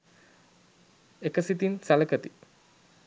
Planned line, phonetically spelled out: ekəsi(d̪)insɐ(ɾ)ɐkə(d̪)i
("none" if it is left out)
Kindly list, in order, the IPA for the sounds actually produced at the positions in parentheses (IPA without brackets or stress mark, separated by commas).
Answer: t̪, l, t̪